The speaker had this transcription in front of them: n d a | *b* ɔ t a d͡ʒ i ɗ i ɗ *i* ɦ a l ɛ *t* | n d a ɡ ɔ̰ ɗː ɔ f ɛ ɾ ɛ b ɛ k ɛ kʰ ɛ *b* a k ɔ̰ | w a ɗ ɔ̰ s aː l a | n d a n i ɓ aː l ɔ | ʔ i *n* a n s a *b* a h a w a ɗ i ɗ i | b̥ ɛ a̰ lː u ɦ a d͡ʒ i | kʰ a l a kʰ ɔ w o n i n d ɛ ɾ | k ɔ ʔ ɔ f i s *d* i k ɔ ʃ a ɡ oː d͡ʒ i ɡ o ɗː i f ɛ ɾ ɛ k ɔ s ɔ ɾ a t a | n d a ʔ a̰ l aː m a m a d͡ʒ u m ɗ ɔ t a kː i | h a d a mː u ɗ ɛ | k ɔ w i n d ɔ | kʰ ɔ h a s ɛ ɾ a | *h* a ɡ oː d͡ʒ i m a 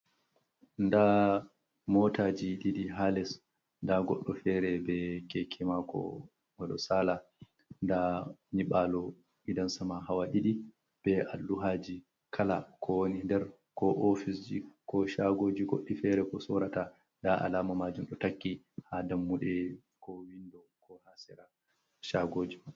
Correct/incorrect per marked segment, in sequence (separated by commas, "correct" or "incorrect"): incorrect, correct, incorrect, incorrect, incorrect, incorrect, incorrect, incorrect